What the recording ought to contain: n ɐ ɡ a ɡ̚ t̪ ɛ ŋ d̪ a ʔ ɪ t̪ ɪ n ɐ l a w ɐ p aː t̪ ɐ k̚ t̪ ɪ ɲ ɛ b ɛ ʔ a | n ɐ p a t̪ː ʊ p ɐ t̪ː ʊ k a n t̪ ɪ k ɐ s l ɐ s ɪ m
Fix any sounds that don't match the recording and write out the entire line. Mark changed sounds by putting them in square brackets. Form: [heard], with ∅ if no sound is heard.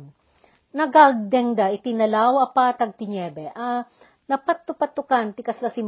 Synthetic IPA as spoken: n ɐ ɡ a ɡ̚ [d̪] ɛ ŋ d̪ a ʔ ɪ t̪ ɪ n ɐ l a w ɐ p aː t̪ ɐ [ɡ̚] t̪ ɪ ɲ ɛ b ɛ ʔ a | n ɐ p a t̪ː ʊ p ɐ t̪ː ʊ k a n t̪ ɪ k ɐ s l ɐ s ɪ m